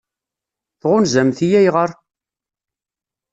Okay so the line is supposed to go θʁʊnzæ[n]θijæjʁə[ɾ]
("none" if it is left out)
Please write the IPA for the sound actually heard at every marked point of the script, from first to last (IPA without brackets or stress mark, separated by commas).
m, ɾ